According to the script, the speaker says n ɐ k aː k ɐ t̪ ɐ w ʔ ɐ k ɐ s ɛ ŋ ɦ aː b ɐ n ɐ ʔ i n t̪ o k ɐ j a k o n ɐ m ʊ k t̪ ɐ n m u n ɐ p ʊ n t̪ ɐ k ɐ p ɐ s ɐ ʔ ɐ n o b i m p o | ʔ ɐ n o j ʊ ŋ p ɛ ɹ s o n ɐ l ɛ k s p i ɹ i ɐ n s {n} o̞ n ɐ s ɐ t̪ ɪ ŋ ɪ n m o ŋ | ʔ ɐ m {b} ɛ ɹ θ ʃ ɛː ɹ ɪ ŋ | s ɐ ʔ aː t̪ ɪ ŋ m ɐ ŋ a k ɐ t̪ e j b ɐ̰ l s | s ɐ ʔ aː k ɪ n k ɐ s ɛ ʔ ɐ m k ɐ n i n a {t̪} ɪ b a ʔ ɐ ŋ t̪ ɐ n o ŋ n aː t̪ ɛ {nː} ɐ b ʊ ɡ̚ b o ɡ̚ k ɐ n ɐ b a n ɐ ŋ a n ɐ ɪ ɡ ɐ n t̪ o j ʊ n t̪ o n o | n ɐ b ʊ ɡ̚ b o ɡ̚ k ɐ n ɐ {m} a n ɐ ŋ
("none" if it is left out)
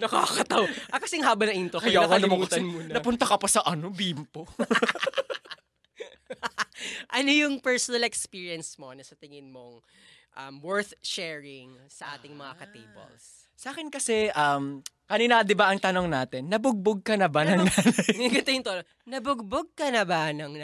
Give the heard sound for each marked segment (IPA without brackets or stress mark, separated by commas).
m, w, d̪, nː, b